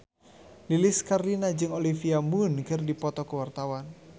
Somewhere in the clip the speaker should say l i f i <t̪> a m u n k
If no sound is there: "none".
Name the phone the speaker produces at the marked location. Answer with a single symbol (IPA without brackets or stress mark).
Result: none